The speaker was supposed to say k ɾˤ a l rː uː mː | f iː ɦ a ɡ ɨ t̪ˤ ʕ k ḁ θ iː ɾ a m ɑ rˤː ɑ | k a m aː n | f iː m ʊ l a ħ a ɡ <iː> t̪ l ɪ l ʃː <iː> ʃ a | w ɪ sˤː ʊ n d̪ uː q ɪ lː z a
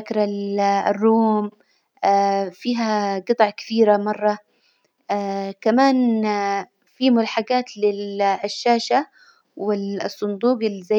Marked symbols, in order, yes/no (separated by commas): no, no